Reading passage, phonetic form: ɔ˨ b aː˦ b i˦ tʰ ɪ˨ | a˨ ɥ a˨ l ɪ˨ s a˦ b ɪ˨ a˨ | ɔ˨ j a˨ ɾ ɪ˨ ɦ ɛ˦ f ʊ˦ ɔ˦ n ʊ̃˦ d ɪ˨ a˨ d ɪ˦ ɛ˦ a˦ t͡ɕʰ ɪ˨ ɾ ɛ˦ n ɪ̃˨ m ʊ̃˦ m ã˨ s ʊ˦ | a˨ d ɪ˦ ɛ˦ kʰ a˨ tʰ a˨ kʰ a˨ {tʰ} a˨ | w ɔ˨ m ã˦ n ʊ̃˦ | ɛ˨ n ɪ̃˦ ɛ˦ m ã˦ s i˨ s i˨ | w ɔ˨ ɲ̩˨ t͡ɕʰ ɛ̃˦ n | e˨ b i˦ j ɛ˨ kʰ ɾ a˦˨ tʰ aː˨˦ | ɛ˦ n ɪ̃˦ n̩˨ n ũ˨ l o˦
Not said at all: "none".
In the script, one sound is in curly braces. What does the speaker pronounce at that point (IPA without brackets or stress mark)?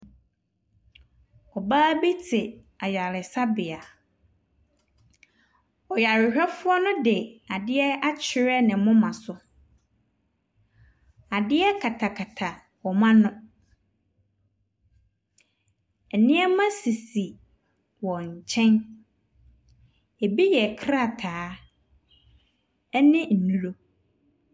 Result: tʰ